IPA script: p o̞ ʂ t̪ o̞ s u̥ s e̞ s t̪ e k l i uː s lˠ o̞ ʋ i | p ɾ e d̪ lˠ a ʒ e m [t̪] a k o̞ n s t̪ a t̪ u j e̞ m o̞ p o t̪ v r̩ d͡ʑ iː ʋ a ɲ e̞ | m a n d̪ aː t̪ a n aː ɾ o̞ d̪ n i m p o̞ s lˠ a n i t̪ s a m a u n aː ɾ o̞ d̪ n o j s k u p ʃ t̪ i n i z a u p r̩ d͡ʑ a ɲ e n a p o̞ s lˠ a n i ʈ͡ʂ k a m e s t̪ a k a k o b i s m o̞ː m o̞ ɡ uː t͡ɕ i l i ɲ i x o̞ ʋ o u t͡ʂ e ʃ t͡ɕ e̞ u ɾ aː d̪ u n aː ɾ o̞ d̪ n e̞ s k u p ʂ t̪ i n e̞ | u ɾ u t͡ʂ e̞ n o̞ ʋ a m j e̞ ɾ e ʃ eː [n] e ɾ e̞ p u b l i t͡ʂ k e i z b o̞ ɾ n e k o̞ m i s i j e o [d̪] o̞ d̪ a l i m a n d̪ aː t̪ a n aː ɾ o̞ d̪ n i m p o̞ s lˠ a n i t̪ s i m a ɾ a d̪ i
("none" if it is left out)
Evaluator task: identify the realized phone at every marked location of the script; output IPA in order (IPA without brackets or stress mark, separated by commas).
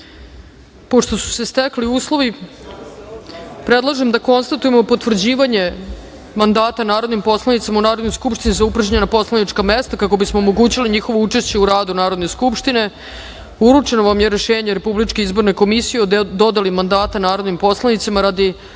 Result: d̪, ɲ, d̪